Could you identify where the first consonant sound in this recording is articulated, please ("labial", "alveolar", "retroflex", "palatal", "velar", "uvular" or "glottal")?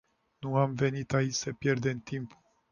alveolar